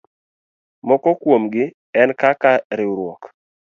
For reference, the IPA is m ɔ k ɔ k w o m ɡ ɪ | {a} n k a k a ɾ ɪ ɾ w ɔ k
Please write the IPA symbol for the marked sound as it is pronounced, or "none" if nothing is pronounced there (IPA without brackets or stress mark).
ɛ